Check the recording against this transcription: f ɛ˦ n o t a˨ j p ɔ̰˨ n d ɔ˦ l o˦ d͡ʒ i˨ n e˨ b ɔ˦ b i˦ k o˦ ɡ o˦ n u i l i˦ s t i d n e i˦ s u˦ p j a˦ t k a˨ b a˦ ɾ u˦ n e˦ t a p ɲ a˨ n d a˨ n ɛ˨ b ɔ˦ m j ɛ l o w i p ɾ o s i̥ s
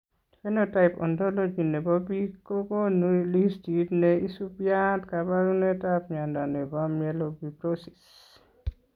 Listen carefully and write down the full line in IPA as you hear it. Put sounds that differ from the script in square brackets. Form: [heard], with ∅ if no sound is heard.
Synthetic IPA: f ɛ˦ n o t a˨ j p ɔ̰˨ n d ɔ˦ l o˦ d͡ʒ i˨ n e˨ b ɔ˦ b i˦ k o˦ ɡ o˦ n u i l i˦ s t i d n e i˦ s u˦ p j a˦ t k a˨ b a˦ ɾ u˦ n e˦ t a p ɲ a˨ n d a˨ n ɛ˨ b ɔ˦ m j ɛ l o [b] i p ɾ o s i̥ s